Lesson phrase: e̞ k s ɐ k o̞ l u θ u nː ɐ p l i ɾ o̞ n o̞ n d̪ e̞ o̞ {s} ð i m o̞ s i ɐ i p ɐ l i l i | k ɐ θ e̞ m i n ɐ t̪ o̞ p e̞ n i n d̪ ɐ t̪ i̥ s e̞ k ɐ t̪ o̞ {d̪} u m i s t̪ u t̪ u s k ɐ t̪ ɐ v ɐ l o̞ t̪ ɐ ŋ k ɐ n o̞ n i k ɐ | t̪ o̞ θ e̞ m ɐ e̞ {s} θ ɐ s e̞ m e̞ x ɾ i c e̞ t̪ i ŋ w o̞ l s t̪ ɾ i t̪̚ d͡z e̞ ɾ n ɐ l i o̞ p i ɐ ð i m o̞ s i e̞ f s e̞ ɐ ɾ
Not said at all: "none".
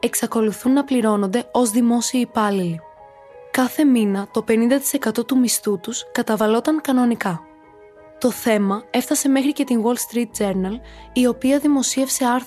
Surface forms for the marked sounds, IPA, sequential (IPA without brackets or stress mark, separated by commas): z, t̪, f